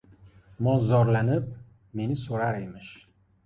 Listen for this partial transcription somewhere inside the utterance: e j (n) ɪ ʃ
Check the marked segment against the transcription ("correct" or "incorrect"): incorrect